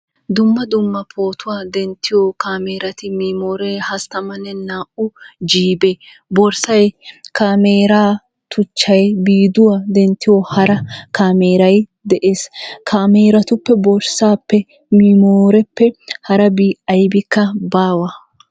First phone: d̪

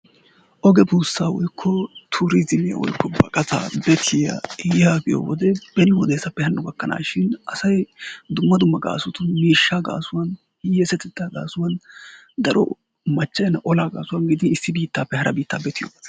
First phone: ʔ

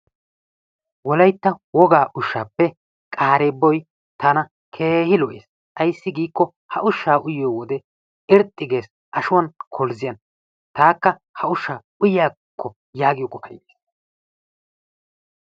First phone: w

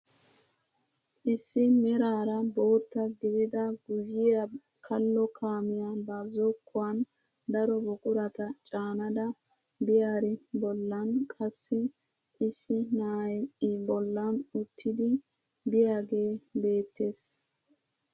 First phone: ʔ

